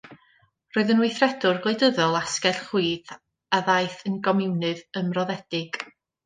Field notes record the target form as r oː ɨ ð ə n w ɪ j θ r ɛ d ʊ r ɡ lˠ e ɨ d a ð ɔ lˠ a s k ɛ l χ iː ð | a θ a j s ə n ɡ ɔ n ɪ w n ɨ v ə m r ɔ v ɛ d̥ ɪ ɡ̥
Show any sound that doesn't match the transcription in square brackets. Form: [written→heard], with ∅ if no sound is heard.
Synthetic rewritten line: r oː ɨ ð ə n w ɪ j θ r ɛ d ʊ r ɡ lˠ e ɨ d [a→ə] ð ɔ lˠ a s k ɛ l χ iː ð | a [θ→ð] a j [s→θ] ə n ɡ ɔ [n→m] ɪ w n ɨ [v→ð] ə m r ɔ [v→ð] ɛ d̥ ɪ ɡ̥